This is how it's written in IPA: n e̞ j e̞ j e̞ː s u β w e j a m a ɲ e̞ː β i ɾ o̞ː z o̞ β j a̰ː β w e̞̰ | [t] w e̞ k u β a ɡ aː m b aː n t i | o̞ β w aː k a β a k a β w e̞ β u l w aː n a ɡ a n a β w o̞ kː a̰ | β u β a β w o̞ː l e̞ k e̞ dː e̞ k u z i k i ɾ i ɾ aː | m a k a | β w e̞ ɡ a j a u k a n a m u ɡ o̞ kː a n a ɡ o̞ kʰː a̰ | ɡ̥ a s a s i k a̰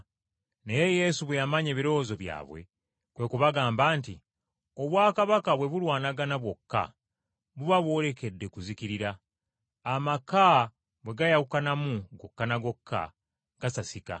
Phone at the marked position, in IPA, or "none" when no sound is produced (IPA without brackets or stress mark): k